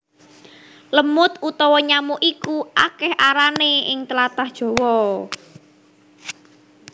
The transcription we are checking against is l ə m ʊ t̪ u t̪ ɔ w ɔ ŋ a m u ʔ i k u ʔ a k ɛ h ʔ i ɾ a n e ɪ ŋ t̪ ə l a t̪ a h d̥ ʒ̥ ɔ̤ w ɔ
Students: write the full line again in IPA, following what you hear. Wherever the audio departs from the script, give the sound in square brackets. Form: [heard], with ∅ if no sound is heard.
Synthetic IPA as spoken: l ə m ʊ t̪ u t̪ ɔ w ɔ [ɲ] a m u ʔ i k u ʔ a k ɛ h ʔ [a] ɾ a n e ɪ ŋ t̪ ə l a t̪ a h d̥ ʒ̥ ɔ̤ w ɔ